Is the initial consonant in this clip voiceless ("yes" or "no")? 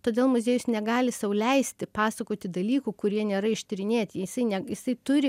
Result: yes